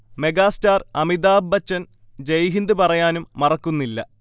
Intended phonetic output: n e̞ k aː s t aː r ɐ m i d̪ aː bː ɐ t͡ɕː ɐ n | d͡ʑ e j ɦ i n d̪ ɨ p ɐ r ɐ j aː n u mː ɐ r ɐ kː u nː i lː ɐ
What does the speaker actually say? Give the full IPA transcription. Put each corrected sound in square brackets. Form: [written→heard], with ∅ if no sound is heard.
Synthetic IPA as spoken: [n→m] e̞ [k→ɡ] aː s t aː r ɐ m i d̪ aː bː ɐ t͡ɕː ɐ n | d͡ʑ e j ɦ i n d̪ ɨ p ɐ r ɐ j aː n u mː ɐ r ɐ kː u nː i lː ɐ